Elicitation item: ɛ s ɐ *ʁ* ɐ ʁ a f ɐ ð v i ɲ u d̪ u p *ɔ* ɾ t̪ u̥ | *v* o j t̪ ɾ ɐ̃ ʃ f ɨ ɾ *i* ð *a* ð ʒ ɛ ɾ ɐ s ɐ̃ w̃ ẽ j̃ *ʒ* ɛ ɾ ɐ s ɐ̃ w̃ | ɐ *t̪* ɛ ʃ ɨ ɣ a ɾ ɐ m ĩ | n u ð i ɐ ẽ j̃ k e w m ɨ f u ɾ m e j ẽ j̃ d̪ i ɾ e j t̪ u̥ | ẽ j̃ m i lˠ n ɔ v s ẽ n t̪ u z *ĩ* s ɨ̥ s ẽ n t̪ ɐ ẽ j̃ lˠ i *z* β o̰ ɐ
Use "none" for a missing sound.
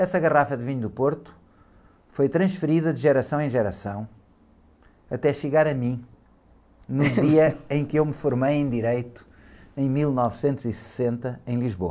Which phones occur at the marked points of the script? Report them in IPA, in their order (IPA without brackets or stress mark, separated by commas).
ɣ, o, f, i, ɐ, ʒ, t̪, i, ʒ